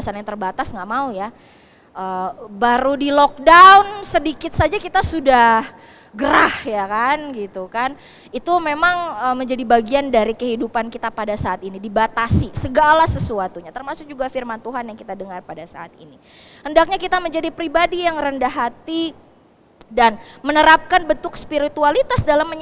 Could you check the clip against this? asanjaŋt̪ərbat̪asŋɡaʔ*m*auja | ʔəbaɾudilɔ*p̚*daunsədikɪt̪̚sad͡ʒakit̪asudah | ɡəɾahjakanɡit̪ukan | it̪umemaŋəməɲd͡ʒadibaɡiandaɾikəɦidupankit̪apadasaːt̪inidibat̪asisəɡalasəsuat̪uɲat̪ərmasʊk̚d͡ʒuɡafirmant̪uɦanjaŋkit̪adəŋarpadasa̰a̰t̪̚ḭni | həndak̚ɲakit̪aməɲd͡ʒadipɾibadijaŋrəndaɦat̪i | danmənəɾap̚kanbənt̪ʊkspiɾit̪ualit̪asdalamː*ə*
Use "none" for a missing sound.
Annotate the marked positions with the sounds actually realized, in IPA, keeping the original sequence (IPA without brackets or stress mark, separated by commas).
m, k̚, ə